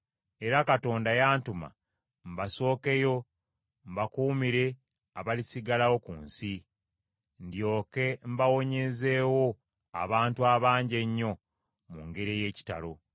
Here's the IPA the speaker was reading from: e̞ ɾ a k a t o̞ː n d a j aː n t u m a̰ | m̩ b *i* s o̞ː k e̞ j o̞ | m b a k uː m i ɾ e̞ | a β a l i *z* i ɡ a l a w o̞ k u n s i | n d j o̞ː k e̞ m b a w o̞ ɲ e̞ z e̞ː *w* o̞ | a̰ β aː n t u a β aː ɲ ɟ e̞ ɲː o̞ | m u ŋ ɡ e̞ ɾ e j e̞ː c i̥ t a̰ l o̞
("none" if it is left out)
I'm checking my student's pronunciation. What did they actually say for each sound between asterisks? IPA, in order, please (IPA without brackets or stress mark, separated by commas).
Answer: a, s, w